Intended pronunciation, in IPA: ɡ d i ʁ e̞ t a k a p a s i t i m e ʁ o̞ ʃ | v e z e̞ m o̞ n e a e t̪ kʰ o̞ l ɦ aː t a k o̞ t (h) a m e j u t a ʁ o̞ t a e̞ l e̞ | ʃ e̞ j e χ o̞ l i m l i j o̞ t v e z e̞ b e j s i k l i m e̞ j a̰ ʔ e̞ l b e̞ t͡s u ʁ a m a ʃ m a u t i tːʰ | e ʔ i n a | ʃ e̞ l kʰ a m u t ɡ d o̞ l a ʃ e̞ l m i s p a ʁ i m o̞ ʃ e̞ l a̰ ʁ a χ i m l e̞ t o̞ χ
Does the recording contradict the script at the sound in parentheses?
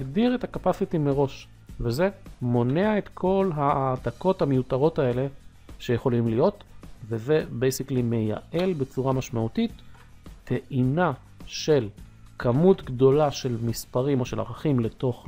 no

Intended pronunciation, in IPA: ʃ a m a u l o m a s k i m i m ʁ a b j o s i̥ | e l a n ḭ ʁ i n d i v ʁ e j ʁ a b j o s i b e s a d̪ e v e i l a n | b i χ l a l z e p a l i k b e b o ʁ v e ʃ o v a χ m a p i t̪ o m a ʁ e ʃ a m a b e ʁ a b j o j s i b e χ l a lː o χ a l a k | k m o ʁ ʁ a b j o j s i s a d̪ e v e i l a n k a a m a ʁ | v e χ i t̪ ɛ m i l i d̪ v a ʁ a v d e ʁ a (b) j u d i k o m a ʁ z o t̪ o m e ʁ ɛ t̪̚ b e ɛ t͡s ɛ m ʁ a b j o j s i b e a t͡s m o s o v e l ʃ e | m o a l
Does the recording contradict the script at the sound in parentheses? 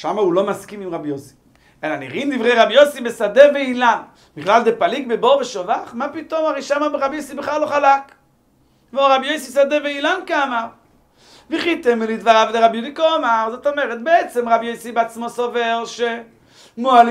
no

